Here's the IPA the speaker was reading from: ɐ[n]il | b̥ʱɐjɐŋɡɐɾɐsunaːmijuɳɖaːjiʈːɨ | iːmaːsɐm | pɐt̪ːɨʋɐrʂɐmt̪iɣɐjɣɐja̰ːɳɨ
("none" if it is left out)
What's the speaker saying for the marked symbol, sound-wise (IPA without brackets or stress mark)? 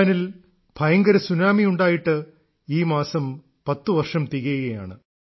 n